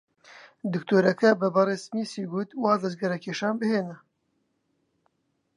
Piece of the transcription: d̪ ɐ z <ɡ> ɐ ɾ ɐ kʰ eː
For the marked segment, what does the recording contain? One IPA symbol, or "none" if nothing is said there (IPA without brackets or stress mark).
ɡ